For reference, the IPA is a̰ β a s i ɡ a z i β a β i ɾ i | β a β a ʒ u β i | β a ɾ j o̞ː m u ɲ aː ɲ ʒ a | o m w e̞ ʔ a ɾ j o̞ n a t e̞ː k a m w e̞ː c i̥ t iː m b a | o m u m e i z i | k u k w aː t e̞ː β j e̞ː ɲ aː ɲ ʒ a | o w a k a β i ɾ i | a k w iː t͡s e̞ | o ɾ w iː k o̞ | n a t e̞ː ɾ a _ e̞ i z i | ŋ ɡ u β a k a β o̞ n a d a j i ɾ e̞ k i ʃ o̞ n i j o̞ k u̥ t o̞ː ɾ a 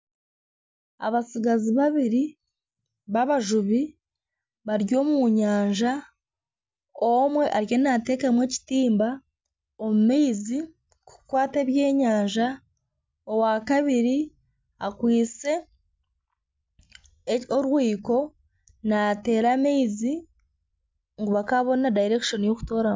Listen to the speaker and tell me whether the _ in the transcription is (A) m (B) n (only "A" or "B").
A